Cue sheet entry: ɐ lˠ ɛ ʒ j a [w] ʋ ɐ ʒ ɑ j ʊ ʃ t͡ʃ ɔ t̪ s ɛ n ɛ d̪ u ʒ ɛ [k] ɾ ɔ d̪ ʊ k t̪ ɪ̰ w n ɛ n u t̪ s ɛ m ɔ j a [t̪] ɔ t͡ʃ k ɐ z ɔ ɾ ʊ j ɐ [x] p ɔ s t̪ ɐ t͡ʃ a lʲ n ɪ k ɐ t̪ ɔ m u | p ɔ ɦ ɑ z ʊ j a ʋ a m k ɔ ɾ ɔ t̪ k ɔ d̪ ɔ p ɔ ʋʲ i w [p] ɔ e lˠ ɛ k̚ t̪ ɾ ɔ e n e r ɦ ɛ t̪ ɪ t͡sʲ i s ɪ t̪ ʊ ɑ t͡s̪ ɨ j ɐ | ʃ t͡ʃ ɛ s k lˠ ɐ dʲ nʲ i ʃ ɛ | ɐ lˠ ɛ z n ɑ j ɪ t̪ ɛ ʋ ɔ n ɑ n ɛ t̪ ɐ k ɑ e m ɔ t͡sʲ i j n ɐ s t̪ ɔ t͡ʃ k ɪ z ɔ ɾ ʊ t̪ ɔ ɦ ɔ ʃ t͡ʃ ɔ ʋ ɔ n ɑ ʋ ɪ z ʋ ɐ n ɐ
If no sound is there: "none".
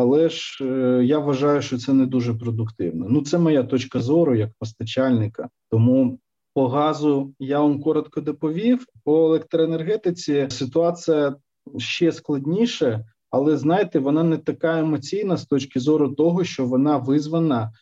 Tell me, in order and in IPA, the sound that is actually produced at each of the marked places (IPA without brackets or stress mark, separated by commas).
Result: ʋ, p, t̪, k, p